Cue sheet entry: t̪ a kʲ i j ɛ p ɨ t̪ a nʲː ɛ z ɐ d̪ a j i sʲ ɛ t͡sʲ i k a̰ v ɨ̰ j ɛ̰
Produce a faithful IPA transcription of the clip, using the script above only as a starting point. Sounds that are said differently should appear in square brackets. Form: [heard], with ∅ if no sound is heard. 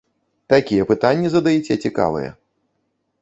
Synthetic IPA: t̪ a kʲ i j ɛ p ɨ t̪ a nʲː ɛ z ɐ d̪ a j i [t͡sʲ] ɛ t͡sʲ i k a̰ v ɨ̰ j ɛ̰